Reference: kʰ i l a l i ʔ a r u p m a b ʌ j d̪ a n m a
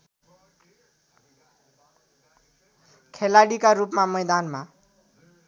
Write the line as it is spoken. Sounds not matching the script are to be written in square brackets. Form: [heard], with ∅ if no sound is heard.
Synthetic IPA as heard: kʰ [e] l a [ɽ] i [k] a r u p m a [m] ʌ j d̪ a n m a